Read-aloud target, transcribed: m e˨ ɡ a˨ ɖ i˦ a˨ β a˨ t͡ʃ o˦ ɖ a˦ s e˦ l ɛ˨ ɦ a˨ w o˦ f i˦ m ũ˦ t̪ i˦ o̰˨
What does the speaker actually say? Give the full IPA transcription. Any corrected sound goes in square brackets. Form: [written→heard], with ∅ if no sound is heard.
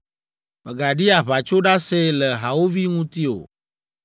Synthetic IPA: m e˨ ɡ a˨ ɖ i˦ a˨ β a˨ t͡ʃ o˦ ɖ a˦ s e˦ l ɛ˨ ɦ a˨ w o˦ [f→v] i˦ [m→ŋ] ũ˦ t̪ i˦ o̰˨